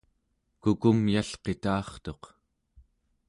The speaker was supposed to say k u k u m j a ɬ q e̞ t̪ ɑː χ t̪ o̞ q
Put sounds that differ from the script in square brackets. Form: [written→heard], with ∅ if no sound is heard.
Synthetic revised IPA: k u k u m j a ɬ q e̞ t̪ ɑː χ t̪ o̞ q